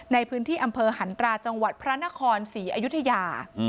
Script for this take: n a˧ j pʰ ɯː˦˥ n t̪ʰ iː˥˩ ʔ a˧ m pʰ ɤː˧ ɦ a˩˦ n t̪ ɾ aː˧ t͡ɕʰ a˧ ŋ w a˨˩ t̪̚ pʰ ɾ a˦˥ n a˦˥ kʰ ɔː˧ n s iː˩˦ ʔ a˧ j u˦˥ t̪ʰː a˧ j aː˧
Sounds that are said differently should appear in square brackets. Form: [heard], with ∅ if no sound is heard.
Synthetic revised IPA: n a˧ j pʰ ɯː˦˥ n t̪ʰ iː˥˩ ʔ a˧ m pʰ ɤː˧ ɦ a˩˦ n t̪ ɾ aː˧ [t͡ɕ] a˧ ŋ w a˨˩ t̪̚ pʰ ɾ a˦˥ n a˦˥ kʰ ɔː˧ n s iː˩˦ ʔ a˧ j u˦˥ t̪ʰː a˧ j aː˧

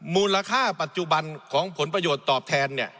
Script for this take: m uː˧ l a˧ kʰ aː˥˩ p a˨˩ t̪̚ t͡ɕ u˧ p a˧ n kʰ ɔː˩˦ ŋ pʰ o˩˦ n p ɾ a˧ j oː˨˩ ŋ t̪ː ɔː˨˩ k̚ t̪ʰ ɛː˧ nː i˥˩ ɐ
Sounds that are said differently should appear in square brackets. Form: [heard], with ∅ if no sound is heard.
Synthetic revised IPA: m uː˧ l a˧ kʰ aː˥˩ p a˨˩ t̪̚ t͡ɕ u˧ [b] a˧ n kʰ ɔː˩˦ ŋ pʰ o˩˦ n p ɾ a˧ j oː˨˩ [∅] t̪ː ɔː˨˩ [p̚] t̪ʰ ɛː˧ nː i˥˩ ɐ

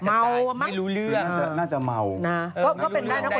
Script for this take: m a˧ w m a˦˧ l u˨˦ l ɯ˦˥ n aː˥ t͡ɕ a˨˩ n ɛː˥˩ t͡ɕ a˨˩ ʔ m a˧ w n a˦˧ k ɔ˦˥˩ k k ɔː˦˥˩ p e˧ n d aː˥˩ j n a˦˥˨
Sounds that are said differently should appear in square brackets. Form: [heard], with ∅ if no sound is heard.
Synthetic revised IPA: m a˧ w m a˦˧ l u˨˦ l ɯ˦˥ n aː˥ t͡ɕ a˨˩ n [aː˥˩] t͡ɕ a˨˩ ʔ m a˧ w n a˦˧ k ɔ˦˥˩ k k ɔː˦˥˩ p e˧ n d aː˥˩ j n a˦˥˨

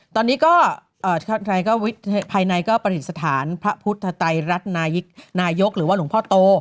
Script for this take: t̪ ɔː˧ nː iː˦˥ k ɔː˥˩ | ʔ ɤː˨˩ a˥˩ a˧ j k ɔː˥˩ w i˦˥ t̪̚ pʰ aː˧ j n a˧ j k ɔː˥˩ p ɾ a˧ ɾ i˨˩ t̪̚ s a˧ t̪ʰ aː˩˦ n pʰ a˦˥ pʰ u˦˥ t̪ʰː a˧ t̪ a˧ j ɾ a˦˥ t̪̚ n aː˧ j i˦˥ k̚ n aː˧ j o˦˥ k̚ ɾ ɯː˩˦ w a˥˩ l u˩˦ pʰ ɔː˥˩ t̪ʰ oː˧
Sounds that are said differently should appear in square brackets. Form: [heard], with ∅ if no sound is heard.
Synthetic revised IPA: t̪ ɔː˧ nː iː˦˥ k ɔː˥˩ | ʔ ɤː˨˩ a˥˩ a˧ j k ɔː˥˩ w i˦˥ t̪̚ pʰ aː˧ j n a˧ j k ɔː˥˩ p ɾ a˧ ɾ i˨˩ t̪̚ s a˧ t̪ʰ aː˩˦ n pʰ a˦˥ pʰ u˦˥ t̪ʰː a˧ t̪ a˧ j ɾ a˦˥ t̪̚ n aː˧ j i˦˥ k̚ n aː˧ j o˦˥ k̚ ɾ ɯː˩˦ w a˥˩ l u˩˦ pʰ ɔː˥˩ [t̪] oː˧

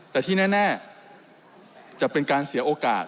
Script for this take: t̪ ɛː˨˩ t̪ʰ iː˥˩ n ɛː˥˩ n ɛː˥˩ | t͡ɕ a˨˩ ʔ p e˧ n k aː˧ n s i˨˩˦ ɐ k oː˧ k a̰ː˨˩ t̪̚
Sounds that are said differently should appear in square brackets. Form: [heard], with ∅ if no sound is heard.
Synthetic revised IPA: t̪ ɛː˨˩ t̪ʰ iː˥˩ n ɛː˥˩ n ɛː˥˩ | t͡ɕ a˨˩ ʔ p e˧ n k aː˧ n s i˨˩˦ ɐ [ʔ] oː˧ k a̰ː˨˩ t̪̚

